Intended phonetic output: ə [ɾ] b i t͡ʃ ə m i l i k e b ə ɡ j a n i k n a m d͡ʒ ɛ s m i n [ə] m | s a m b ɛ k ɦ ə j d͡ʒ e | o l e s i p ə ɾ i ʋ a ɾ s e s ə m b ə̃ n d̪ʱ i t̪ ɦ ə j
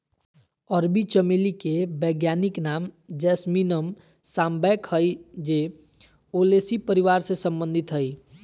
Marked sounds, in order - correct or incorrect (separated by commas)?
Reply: correct, correct